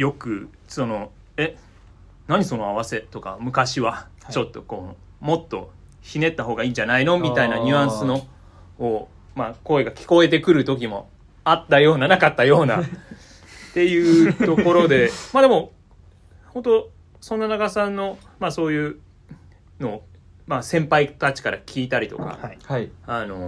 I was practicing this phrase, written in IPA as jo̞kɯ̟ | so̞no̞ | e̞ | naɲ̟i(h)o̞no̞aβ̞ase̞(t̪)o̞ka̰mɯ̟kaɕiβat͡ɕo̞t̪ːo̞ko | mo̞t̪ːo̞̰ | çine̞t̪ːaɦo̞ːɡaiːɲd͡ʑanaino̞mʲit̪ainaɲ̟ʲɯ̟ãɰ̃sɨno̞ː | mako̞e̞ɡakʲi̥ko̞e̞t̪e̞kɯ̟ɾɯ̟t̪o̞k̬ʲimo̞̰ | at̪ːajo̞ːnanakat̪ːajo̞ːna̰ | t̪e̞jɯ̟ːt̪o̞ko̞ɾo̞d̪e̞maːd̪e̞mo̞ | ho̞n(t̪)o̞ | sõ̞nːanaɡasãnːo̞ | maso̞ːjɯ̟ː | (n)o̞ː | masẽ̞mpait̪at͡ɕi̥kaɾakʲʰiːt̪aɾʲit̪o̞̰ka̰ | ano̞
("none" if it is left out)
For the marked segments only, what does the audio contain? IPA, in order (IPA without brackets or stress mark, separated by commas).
s, t̪, t̪, n